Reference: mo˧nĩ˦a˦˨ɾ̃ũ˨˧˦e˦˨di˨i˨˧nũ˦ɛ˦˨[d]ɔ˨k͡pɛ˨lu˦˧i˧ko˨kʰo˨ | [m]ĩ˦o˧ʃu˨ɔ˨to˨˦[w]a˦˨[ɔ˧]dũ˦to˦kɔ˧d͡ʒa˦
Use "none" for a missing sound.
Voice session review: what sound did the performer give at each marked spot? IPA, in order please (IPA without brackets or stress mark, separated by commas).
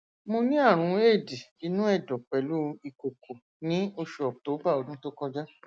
d, n, b, o˧